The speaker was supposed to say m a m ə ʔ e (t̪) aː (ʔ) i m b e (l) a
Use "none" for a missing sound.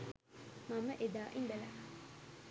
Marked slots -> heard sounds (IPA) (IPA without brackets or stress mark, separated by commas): d̪, ʔ, l